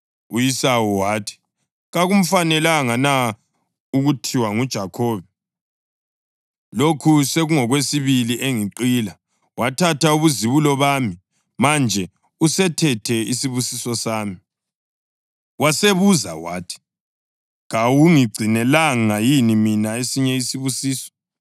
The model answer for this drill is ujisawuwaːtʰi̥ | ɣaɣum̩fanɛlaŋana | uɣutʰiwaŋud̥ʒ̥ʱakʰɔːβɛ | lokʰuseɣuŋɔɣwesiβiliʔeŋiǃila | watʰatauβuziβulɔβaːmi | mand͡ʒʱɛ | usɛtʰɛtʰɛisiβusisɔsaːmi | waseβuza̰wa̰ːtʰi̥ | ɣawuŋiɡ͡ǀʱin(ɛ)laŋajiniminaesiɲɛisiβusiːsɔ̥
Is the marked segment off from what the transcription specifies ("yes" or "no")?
no